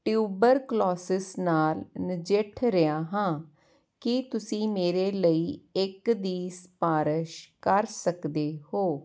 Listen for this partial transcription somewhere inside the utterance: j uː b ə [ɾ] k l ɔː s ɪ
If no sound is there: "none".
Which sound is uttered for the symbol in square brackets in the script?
ɾ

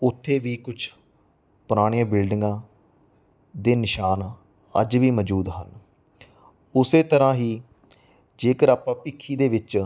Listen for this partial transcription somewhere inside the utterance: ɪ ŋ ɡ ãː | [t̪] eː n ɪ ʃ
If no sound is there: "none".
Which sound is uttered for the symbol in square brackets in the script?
d̪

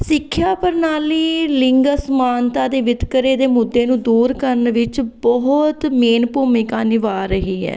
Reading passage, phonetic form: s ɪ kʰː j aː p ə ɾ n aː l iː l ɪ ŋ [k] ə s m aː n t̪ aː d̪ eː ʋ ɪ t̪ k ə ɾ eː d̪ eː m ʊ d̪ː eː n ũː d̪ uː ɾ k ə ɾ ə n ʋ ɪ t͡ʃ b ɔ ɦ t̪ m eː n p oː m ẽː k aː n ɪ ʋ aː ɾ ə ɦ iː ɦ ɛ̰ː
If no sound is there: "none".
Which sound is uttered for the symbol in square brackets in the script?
ɡ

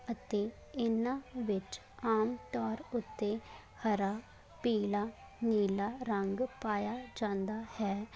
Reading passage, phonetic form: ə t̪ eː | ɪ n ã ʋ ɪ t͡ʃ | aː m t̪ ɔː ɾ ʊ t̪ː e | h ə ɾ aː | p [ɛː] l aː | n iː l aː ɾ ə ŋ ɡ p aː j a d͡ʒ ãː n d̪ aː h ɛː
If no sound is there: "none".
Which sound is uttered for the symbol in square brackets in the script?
iː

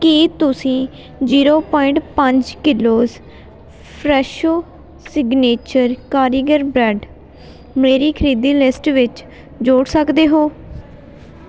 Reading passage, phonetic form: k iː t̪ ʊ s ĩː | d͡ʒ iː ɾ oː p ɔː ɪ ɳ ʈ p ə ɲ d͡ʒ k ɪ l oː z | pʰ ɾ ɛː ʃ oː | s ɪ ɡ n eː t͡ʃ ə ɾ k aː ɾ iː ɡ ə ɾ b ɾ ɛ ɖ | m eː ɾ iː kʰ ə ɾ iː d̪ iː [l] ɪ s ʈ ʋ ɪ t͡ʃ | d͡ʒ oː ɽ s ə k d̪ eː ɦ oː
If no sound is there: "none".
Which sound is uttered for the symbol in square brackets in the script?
l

